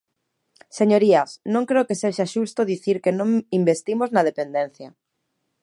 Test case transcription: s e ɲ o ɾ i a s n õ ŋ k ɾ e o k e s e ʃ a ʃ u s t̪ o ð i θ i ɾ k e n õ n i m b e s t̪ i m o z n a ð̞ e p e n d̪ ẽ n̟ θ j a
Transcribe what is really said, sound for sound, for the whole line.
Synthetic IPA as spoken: s e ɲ o ɾ i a s n õ ŋ k ɾ e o k e s e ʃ a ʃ u s t̪ o ð i θ i ɾ k e n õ ŋ i m b e s t̪ i m o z n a ð̞ e p e n d̪ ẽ n̟ θ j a

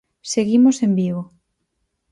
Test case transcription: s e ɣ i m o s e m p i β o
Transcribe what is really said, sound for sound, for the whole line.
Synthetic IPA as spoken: s e ɣ i m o s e m b i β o

